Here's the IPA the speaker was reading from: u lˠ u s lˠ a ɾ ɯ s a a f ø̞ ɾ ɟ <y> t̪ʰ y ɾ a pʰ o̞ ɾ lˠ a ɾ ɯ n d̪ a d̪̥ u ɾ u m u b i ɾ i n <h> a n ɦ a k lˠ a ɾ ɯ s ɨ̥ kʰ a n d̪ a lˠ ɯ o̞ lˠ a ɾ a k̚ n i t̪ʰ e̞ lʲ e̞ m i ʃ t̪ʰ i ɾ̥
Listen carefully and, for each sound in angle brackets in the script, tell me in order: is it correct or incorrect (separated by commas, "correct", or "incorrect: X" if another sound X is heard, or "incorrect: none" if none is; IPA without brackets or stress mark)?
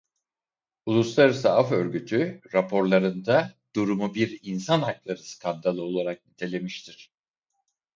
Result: correct, incorrect: s